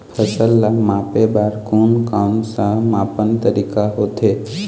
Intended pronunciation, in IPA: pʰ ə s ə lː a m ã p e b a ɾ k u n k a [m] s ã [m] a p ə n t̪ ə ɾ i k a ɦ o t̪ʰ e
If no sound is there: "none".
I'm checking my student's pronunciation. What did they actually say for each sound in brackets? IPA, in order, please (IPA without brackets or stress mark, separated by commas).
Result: m, m